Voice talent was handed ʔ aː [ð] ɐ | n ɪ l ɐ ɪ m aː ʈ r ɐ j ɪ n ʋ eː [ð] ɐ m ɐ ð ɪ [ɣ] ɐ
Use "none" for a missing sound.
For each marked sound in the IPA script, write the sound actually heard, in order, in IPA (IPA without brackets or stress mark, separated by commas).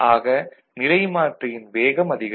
ɣ, ɣ, ɣ